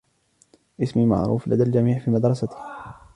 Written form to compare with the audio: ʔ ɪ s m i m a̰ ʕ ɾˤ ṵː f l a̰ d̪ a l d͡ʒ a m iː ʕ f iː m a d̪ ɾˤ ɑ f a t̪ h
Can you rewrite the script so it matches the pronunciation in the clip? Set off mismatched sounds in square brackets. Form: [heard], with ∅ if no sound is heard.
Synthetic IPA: ʔ ɪ s m i m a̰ ʕ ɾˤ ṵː f l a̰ d̪ a l d͡ʒ a m iː ʕ f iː m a d̪ ɾˤ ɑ [s] a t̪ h